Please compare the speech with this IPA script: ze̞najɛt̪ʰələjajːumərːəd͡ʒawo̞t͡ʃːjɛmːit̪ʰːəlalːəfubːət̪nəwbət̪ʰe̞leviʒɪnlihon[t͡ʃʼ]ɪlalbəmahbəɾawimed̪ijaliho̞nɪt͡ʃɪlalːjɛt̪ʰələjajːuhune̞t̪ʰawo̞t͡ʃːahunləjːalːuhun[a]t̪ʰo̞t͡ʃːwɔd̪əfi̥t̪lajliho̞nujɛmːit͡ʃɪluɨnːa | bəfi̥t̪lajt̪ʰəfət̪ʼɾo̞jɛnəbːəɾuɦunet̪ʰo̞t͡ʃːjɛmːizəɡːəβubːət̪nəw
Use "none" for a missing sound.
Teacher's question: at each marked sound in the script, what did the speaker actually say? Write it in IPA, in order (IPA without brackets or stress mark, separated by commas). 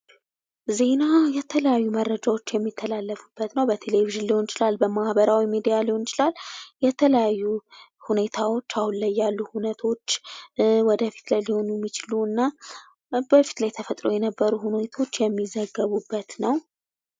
t͡ʃ, ə